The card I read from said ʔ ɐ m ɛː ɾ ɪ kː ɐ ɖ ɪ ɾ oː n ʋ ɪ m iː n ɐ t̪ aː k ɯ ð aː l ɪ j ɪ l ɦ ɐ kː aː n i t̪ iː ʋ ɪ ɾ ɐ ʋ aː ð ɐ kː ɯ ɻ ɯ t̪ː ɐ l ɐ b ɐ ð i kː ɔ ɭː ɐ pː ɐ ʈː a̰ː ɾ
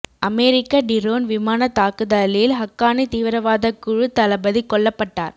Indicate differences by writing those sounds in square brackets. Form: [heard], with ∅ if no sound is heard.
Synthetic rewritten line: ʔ ɐ m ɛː ɾ ɪ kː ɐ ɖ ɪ ɾ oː n ʋ ɪ m [aː] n ɐ t̪ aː k ɯ ð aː l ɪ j ɪ l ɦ ɐ kː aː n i t̪ iː ʋ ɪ ɾ ɐ ʋ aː ð ɐ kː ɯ ɻ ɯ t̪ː ɐ l ɐ b ɐ ð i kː ɔ ɭː ɐ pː ɐ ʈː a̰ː ɾ